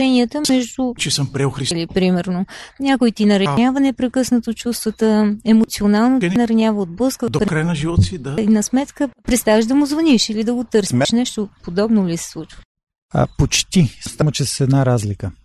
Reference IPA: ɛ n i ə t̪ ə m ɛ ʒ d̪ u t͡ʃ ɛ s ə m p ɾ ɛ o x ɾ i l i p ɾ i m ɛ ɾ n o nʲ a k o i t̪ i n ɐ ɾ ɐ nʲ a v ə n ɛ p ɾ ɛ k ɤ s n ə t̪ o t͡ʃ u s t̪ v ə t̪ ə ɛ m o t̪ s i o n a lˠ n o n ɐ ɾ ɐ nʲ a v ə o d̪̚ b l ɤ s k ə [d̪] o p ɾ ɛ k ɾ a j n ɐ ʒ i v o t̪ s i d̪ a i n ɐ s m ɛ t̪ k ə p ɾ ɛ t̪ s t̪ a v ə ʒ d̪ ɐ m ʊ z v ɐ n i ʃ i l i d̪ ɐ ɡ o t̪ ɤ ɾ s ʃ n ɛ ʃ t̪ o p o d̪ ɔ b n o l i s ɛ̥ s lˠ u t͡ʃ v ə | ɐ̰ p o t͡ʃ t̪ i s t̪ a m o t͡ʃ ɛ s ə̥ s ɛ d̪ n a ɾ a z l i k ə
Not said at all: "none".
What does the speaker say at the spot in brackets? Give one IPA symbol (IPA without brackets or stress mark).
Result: d̪